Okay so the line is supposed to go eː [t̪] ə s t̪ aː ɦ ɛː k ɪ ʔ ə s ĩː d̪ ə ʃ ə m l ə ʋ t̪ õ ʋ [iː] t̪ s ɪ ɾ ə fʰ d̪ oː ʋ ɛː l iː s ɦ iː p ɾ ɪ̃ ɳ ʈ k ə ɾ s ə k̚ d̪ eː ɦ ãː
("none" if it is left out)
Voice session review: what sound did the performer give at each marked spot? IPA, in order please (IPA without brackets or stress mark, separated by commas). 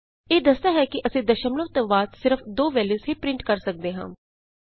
d̪, aː